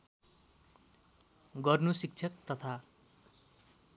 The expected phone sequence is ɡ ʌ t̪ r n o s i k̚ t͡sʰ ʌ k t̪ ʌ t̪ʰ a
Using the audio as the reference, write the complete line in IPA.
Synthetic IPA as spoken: ɡ ʌ r n u s i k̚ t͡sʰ ʌ k t̪ ʌ t̪ʰ a

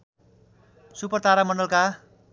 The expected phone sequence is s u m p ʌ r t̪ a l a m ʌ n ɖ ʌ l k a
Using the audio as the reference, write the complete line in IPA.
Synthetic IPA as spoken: s u p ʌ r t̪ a ɾ a m ʌ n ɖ ʌ l k a

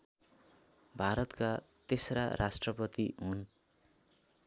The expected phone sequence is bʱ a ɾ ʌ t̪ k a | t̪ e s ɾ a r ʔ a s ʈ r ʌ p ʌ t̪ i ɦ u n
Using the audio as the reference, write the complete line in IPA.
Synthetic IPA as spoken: bʱ a ɾ ʌ t̪ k a | t̪ e s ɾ a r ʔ a s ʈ r ʌ p ʌ t̪ i ɦ u n

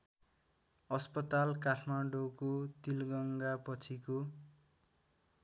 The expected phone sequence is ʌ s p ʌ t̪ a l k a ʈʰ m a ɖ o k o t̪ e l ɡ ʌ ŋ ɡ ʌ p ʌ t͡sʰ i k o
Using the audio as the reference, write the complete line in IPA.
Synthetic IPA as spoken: ʌ s p ʌ t̪ a l k a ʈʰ m a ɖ o k o t̪ i l ɡ ʌ ŋ ɡ a p ʌ t͡sʰ i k o

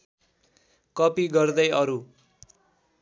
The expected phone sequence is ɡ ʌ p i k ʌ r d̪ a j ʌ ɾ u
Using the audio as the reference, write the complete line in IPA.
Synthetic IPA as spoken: k ʌ p i ɡ ʌ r d̪ ʌ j ʌ ɾ u

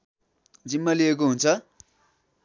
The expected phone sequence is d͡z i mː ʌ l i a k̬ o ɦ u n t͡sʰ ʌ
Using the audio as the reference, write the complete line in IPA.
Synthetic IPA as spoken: d͡z i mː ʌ l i e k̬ o ɦ u n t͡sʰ ʌ

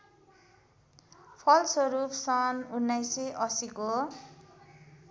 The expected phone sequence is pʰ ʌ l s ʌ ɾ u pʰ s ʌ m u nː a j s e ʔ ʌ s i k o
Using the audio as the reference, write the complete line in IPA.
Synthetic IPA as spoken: pʰ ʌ l s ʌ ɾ u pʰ s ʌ n u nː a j s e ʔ ʌ s i k o

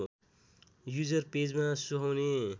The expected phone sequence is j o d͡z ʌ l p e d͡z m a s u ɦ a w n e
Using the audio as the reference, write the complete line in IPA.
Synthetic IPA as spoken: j u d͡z ʌ r p e d͡z m a s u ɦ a w n e

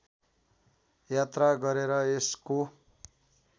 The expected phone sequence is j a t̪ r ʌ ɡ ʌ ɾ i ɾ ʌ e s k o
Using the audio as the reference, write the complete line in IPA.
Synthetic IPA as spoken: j a t̪ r a ɡ ʌ ɾ e ɾ ʌ e s k o

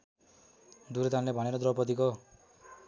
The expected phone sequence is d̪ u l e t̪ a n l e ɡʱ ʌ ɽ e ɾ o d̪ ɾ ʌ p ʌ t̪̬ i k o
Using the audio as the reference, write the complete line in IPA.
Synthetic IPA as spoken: d̪ u ɾ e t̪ a n l e bʱ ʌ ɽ e ɾ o d̪ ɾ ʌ p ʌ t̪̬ i k o

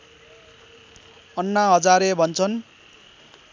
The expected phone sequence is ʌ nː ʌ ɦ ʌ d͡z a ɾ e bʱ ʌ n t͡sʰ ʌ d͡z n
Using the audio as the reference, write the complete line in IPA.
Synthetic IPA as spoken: ʌ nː a ɦ ʌ d͡z a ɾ e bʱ ʌ n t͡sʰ ʌ n

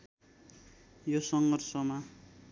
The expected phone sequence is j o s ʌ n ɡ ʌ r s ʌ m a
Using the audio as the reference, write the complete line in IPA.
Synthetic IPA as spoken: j o s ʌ ŋ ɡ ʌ r s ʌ m a

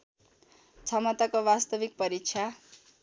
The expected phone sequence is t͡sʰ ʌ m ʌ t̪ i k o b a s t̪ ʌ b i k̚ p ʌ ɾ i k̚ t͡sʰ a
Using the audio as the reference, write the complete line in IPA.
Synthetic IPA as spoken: t͡sʰ ʌ m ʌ t̪ a k o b a s t̪ ʌ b i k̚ p ʌ ɾ i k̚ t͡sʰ a

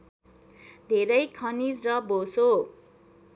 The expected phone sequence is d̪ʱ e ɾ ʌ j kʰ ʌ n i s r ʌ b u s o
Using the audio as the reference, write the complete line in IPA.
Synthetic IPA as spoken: d̪ʱ e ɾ ʌ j kʰ ʌ n i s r ʌ b o s o

